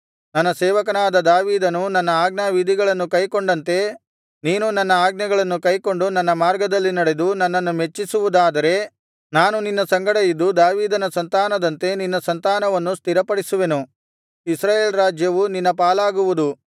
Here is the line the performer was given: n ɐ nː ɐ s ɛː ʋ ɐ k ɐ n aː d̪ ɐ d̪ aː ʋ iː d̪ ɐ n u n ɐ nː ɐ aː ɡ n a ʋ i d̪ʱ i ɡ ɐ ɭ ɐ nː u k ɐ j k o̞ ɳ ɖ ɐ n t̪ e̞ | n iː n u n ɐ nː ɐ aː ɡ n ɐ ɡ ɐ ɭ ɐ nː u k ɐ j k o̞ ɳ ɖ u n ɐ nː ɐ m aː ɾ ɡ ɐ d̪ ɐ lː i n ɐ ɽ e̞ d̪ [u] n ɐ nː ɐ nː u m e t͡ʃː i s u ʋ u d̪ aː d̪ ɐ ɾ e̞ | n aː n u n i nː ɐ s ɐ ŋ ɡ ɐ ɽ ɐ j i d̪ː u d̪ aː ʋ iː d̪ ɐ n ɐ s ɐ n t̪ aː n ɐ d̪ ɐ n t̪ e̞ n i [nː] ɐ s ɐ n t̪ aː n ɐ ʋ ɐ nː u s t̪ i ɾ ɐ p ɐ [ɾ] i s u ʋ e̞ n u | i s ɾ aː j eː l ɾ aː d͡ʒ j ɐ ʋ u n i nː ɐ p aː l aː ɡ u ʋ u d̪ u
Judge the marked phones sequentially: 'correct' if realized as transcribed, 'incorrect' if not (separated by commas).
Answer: correct, correct, incorrect